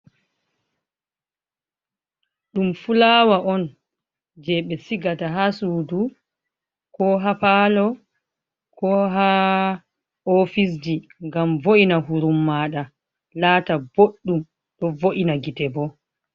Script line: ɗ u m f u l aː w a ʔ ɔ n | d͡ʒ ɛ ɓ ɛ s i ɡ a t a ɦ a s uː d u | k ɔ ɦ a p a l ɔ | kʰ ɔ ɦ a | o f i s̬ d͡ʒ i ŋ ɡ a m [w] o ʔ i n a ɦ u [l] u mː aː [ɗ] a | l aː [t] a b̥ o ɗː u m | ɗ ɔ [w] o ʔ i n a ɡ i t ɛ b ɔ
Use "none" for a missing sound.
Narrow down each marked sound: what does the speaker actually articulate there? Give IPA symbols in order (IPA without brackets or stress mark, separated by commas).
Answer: v, ɾ, ɗ, t, v